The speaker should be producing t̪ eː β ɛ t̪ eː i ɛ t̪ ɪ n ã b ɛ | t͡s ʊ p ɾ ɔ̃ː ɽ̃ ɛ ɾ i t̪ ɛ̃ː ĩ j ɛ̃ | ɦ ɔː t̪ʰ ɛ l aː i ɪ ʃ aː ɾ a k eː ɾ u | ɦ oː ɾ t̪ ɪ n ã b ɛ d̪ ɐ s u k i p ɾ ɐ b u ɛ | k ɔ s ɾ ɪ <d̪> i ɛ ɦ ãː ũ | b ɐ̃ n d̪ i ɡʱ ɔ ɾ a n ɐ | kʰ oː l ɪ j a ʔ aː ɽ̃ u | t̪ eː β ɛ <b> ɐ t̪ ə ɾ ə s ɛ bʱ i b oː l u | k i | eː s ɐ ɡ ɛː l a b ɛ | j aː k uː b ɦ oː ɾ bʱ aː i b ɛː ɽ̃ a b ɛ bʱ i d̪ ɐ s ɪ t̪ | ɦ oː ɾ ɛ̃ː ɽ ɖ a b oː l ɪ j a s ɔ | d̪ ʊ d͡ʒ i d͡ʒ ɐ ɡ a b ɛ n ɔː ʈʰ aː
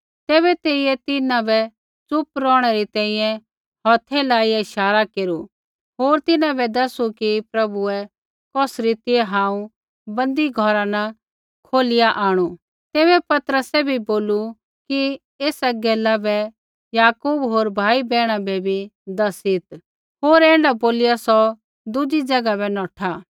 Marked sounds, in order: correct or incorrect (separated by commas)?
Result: incorrect, incorrect